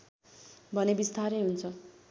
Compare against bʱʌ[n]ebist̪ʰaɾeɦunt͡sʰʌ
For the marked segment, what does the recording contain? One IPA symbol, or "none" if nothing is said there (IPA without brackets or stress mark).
n